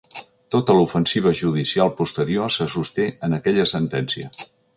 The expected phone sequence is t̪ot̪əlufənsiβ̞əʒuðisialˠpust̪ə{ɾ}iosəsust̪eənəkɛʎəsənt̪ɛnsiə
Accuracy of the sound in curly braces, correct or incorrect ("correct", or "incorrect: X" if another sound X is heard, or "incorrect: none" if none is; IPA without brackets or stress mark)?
correct